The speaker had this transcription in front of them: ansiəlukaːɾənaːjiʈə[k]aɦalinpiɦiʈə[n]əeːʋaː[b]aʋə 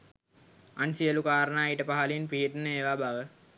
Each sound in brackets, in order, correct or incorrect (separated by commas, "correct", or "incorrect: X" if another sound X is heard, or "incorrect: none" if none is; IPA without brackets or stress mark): incorrect: p, correct, correct